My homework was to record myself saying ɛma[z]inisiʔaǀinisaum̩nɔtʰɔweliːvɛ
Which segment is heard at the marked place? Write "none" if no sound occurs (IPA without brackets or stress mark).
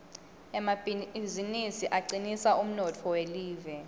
z